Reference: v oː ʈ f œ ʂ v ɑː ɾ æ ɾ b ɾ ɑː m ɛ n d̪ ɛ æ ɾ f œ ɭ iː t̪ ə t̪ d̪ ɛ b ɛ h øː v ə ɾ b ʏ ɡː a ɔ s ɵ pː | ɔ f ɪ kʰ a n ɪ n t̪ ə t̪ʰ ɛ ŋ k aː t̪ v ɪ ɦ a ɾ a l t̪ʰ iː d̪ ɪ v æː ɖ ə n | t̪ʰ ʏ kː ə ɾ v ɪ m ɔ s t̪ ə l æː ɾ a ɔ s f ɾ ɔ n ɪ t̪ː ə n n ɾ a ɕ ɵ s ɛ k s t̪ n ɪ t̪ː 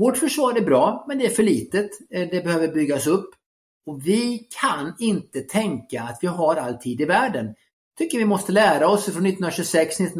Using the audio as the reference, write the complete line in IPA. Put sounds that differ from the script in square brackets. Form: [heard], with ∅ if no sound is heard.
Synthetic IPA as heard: v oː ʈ f œ ʂ v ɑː ɾ æ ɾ b ɾ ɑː m ɛ n d̪ ɛ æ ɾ f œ ɭ iː t̪ ə t̪ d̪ ɛ b ɛ h øː v ə ɾ b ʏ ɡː a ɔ s ɵ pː | ɔ [v] ɪ kʰ a n ɪ n t̪ ə t̪ʰ ɛ ŋ k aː t̪ v ɪ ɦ a ɾ a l t̪ʰ iː d̪ ɪ v æː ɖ ə n | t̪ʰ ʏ kː ə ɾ v ɪ m ɔ s t̪ ə l æː ɾ a ɔ s f ɾ ɔ n ɪ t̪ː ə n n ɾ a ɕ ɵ s ɛ k s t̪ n ɪ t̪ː